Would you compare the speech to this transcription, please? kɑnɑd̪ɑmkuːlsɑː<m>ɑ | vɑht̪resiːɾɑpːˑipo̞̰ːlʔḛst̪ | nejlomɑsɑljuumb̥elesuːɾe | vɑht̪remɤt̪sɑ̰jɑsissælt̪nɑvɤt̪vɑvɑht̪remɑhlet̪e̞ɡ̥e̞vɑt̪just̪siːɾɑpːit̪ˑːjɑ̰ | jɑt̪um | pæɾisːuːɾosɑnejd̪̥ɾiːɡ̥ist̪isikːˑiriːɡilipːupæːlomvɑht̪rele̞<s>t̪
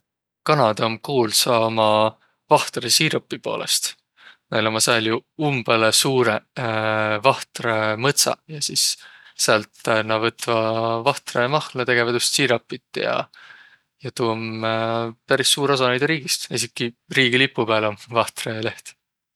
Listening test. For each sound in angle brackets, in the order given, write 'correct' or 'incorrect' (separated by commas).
correct, incorrect